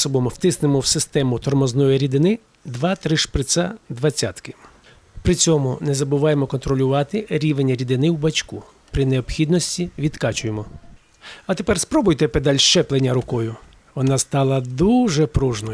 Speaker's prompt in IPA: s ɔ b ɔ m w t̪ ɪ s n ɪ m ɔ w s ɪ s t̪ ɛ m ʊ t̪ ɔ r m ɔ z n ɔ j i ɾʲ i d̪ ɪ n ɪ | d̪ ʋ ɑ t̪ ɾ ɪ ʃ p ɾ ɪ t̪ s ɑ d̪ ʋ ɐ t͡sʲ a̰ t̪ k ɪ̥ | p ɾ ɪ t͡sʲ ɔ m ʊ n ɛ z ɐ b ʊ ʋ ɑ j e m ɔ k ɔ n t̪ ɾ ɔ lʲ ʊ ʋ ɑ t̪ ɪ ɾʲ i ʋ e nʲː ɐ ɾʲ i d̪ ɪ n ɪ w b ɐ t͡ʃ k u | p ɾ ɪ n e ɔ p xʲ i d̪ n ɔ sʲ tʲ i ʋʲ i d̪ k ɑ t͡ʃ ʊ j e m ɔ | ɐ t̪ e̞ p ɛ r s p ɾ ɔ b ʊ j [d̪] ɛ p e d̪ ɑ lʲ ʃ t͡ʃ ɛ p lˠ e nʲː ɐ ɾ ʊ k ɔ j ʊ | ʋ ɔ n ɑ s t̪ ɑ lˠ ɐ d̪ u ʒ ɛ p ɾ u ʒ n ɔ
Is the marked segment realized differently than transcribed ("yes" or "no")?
yes